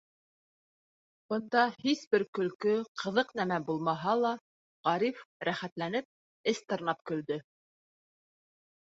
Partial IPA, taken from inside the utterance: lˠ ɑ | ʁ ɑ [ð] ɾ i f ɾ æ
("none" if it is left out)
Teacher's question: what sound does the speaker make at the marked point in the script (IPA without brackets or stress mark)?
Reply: none